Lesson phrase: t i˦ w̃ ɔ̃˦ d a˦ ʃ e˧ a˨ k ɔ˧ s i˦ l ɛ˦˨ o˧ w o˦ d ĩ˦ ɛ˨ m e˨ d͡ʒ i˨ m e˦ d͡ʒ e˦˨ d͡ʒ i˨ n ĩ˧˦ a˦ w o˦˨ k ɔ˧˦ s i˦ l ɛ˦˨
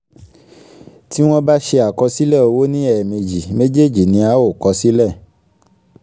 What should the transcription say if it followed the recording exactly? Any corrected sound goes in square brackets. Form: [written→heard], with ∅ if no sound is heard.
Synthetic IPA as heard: t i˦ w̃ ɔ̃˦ [d→b] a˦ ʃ e˧ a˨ k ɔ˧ s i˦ l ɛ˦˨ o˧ w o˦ [d→n] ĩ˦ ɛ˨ m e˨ d͡ʒ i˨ m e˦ d͡ʒ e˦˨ d͡ʒ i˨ n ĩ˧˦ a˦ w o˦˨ k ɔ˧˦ s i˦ l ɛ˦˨